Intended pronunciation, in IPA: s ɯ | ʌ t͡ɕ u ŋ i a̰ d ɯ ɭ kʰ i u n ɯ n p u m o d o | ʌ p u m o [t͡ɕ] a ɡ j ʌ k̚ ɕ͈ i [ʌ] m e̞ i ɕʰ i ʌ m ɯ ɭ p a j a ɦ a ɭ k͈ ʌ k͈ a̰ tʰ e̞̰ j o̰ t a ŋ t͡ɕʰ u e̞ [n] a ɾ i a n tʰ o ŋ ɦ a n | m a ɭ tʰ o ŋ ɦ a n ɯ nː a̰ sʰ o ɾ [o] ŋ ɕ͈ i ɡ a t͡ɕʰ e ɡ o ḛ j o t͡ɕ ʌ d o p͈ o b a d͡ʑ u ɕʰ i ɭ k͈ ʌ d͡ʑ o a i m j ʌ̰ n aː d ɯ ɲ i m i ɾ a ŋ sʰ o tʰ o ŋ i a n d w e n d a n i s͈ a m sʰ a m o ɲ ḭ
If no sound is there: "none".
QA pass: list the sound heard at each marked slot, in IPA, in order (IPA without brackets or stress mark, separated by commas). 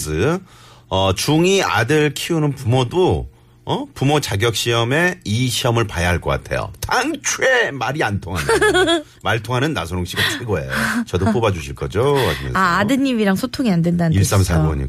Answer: t͡ɕ, ʌ, m, o